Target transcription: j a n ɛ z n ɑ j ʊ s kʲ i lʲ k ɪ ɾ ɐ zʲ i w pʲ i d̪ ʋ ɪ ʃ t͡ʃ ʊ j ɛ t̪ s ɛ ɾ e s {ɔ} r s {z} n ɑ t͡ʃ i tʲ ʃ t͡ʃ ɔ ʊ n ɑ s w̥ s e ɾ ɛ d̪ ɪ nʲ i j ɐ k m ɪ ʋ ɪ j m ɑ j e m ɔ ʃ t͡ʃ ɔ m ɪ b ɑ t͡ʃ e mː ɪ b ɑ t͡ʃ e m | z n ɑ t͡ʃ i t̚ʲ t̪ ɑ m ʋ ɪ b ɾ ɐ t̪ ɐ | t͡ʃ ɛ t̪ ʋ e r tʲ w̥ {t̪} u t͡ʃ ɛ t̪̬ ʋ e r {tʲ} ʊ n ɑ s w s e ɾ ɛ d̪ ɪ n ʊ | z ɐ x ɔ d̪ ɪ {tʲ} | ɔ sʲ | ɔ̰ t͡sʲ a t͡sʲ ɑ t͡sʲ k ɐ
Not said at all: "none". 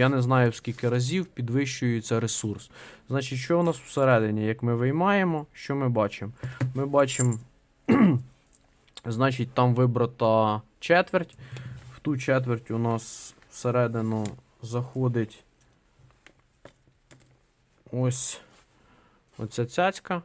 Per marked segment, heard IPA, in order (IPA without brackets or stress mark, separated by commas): u, z, t̪, tʲ, tʲ